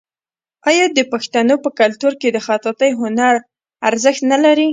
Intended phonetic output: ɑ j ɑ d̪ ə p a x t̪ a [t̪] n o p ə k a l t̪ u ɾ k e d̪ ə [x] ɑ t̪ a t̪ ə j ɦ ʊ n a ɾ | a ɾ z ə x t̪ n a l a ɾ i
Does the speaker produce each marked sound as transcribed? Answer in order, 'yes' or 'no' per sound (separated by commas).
no, yes